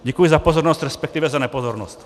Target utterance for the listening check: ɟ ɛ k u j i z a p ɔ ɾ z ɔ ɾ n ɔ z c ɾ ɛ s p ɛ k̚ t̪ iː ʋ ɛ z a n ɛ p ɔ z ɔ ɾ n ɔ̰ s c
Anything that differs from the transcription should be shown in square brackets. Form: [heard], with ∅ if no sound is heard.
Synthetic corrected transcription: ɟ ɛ k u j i z a p ɔ [∅] z ɔ ɾ n ɔ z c ɾ ɛ s p ɛ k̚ t̪ iː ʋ ɛ z a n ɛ p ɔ z ɔ ɾ n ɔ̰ s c